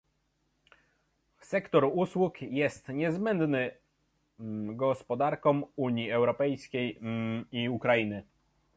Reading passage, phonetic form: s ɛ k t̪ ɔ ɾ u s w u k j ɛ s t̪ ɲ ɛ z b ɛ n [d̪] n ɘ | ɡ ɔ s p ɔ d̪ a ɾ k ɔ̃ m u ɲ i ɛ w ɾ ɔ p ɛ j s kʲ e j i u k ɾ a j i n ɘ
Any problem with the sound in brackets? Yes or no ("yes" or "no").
no